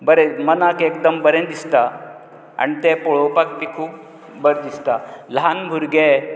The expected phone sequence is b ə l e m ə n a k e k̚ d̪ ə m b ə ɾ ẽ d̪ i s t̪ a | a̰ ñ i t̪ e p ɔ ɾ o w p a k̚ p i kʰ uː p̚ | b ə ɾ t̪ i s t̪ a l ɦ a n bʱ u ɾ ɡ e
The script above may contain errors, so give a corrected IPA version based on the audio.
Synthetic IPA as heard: b ə ɾ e m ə n a k e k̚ d̪ ə m b ə ɾ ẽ d̪ i s t̪ a | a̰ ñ i t̪ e p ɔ ɭ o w p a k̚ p i kʰ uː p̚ | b ə ɾ d̪ i s t̪ a l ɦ a n bʱ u ɾ ɡ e